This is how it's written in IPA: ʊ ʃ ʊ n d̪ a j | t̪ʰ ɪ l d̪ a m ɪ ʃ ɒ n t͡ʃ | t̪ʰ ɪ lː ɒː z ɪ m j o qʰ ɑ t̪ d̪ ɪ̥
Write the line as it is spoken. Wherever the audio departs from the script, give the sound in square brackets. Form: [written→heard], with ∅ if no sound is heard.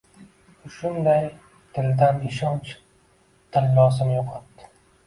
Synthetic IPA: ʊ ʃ ʊ n d̪ a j | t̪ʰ ɪ l d̪ a [m→n] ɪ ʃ ɒ n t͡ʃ | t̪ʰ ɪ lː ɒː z ɪ m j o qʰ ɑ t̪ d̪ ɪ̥